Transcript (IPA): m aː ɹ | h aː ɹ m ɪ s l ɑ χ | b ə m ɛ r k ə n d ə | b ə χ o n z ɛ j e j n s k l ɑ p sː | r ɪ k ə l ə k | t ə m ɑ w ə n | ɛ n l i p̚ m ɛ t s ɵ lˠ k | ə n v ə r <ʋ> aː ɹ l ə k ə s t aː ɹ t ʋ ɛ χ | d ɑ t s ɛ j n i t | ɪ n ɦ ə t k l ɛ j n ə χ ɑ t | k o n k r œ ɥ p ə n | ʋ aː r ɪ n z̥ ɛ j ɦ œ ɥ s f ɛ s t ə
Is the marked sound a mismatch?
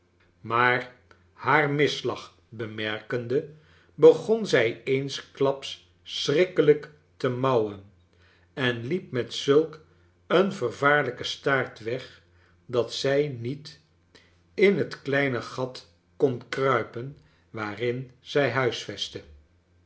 yes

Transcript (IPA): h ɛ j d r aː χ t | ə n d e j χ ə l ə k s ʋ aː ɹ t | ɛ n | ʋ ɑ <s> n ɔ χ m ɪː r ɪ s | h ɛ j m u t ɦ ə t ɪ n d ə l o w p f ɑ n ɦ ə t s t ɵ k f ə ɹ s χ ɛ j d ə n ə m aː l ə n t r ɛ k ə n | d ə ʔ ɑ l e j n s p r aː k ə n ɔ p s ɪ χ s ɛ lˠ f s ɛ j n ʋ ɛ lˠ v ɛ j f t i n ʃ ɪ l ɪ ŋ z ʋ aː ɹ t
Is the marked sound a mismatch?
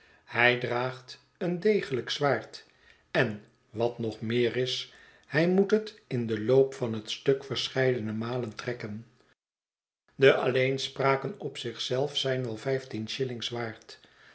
yes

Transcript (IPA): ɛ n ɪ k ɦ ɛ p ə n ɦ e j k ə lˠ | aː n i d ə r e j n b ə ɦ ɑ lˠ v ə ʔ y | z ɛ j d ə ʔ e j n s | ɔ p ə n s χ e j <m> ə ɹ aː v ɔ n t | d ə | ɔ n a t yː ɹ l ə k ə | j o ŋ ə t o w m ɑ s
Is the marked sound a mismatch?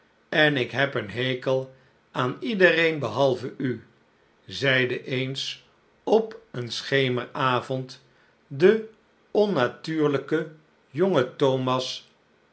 no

